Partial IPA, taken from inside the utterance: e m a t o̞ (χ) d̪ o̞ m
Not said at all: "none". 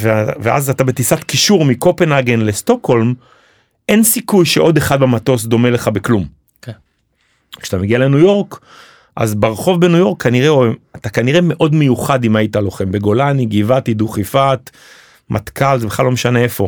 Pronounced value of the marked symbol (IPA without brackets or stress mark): s